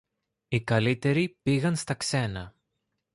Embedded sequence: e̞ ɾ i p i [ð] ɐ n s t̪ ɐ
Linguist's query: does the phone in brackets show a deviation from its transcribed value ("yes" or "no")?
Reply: yes